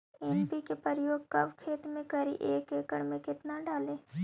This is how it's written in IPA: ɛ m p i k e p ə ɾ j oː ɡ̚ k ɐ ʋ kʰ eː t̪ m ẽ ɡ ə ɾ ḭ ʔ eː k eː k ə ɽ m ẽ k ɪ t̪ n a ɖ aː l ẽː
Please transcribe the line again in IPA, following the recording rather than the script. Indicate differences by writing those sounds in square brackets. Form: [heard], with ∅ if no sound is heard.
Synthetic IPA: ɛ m p i k e p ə ɾ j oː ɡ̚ k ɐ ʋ kʰ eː t̪ m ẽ [k] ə ɾ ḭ ʔ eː k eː k ə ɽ m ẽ k ɪ t̪ n a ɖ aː l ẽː